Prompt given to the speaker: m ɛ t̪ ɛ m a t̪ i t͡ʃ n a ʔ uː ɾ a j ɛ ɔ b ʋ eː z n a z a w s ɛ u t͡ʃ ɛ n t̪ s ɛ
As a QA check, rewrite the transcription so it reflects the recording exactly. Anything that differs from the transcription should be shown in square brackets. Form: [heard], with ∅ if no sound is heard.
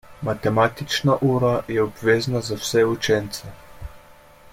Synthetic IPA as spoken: m [a] t̪ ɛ m a t̪ i t͡ʃ n a ʔ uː ɾ a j ɛ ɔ b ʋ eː z n a z a w s ɛ u t͡ʃ ɛ n t̪ s ɛ